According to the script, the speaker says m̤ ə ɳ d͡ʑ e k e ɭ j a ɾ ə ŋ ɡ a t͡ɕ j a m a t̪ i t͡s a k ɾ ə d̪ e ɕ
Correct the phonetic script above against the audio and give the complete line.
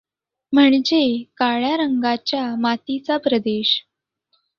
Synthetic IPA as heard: m̤ ə ɳ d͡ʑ e k a ɭ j a ɾ ə ŋ ɡ a t͡ɕ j a m a t̪ i t͡s a p ɾ ə d̪ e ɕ